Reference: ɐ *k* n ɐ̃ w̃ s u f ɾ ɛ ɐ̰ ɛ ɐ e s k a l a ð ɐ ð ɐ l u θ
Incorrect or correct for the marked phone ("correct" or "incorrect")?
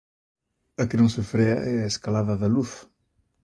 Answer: correct